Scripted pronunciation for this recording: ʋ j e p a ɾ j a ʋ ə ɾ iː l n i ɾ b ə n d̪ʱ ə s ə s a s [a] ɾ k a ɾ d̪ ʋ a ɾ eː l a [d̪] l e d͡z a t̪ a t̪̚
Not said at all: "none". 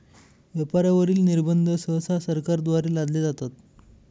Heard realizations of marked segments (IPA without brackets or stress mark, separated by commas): ə, d̪